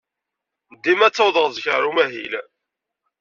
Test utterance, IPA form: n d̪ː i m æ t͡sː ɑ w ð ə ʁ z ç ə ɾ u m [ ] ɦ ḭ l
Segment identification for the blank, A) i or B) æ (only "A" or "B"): B